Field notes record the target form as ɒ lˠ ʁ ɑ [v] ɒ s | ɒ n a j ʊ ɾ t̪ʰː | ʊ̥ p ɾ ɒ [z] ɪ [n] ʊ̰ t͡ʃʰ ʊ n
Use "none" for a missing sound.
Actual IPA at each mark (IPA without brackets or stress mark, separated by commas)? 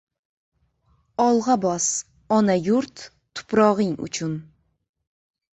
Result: b, ʁ, ŋ